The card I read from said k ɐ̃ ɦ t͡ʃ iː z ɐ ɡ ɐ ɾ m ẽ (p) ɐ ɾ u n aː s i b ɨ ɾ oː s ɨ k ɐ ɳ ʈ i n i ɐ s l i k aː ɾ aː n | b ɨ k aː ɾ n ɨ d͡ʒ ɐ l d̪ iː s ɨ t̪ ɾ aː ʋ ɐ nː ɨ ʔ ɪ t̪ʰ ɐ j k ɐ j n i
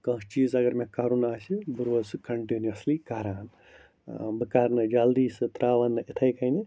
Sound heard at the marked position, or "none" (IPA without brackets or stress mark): k